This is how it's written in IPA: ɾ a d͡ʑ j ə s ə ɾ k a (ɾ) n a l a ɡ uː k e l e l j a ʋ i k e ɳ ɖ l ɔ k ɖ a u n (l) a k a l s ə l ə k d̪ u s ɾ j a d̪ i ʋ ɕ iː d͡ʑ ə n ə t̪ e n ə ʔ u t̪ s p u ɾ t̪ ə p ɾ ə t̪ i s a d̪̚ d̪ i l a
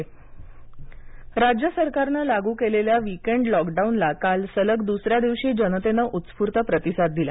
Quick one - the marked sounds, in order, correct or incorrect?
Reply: correct, correct

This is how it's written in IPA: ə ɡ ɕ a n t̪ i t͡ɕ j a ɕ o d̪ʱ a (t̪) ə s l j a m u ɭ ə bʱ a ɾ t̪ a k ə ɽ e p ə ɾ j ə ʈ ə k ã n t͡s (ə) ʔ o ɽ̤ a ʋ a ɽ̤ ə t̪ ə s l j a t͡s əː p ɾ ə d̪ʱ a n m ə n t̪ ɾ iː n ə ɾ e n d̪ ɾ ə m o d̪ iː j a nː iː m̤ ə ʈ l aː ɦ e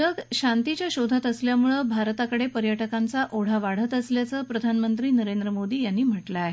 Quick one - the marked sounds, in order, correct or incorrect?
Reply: correct, incorrect

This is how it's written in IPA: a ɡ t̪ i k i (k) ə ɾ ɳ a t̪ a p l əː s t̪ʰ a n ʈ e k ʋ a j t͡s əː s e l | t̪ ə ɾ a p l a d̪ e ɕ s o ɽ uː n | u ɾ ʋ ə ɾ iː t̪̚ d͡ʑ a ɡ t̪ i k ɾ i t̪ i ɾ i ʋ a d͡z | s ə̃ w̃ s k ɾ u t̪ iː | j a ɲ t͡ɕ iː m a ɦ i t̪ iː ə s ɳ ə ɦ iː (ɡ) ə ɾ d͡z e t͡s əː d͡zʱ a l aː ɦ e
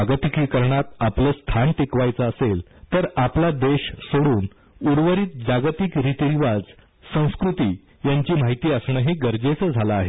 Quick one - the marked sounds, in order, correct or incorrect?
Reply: correct, correct

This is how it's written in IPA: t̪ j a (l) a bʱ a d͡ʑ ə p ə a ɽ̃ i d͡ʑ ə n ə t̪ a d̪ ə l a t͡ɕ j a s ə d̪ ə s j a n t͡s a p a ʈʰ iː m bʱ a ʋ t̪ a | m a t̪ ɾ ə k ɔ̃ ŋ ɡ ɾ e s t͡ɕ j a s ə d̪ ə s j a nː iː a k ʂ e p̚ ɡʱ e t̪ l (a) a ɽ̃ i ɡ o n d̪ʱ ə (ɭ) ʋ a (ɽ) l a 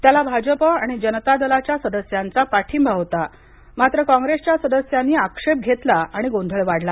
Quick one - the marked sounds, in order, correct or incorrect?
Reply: correct, correct, correct, correct

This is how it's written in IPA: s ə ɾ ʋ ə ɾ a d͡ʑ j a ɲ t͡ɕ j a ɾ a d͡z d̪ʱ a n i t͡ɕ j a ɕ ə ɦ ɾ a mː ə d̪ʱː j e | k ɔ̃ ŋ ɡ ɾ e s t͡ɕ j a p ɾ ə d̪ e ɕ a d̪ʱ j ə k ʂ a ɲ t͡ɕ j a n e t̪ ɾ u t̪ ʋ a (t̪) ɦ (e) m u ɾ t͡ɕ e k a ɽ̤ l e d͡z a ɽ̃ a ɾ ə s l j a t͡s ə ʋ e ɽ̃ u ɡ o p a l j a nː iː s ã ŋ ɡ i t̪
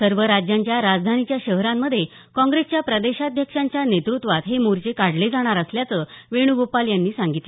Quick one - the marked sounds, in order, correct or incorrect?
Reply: correct, correct

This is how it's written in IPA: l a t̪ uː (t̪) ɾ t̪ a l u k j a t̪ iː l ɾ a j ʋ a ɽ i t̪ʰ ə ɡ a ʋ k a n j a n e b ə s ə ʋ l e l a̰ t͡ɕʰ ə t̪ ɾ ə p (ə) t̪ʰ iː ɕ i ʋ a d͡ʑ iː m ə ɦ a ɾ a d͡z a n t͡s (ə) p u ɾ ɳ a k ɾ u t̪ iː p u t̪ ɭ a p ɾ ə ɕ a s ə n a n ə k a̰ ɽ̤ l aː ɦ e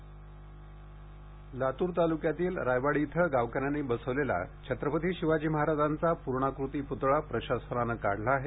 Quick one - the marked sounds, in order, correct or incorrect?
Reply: incorrect, correct, incorrect

